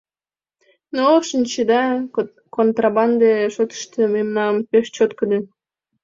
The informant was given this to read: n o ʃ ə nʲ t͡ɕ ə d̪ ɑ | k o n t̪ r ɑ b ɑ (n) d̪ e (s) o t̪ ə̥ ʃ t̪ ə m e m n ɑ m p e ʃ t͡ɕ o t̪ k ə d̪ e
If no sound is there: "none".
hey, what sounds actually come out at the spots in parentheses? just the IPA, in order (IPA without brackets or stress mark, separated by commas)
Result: n, ʃ